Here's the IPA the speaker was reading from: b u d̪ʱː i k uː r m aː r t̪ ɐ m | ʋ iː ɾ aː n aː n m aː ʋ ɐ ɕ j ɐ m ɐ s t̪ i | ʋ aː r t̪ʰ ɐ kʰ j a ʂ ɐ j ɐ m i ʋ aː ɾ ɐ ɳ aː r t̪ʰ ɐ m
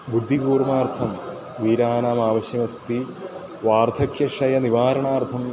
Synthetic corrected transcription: b u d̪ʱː i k uː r m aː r t̪ʰ ɐ m | ʋ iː ɾ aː n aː m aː ʋ ɐ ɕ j ɐ m ɐ s t̪ i | ʋ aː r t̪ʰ ɐ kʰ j ɐ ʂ ɐ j ɐ n i ʋ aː ɾ ɐ ɳ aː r t̪ʰ ɐ m